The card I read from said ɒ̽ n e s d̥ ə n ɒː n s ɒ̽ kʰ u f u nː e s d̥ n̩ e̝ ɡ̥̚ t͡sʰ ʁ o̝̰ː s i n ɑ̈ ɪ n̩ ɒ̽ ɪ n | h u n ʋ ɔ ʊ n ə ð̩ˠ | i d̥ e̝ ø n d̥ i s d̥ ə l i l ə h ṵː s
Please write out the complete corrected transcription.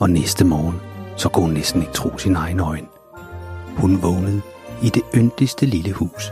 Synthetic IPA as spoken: ɒ̽ n e s d̥ ə m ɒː n s ɒ̽ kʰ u h u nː e s d̥ n̩ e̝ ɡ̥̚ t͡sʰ ʁ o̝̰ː s i n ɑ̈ ɪ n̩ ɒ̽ ɪ n | h u n ʋ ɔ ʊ n ə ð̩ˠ | i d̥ e̝ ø n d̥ i s d̥ ə l i l ə h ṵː s